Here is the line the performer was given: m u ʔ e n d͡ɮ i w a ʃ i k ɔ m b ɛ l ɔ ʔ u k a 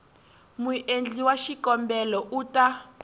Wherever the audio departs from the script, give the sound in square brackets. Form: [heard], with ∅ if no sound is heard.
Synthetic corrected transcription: m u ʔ e n d͡ɮ i w a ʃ i k ɔ m b ɛ l ɔ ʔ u [t] a